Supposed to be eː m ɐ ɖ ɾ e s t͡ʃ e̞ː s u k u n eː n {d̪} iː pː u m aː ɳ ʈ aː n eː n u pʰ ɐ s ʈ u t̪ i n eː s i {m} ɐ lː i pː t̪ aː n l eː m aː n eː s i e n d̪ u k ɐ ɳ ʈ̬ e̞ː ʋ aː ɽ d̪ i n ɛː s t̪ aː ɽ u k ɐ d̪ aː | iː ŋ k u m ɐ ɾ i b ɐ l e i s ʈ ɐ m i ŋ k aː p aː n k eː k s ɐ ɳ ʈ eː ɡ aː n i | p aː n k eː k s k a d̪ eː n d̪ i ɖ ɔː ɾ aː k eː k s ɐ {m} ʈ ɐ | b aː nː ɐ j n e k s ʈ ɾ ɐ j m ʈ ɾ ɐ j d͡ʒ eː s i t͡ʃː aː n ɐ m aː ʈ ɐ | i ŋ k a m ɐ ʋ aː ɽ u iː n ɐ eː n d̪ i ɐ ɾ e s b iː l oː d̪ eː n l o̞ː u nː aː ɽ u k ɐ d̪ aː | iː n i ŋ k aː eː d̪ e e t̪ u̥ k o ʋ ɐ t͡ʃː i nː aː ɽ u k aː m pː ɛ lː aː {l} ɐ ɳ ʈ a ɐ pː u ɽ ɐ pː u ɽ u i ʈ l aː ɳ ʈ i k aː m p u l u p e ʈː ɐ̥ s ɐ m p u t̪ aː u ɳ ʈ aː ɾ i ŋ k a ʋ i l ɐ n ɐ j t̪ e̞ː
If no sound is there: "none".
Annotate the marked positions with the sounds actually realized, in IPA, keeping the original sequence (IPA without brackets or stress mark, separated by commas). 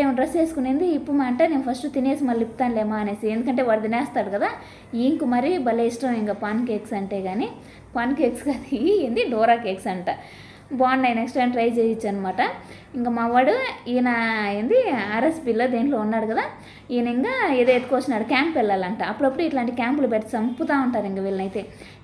d̪, m, ɳ, l